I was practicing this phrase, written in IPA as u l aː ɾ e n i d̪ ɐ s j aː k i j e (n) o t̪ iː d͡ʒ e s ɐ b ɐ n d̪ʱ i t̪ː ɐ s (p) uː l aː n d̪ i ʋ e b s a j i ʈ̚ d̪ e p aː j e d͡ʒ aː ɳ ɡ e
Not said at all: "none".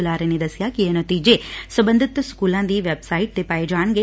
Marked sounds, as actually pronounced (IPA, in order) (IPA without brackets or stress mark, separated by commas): n, k